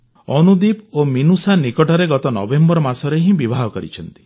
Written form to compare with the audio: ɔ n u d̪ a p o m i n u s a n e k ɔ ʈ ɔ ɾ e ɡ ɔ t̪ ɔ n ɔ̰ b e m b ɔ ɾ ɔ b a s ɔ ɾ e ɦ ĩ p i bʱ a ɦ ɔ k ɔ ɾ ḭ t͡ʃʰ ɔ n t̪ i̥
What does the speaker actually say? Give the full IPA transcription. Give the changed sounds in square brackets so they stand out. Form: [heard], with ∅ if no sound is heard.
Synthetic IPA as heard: ɔ n u d̪ [i] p o m i n u s a n [i] k ɔ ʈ ɔ ɾ e ɡ ɔ t̪ ɔ n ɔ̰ b e m b ɔ ɾ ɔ [m] a s ɔ ɾ e ɦ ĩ [b] i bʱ a ɦ ɔ k ɔ ɾ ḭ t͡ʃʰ ɔ n t̪ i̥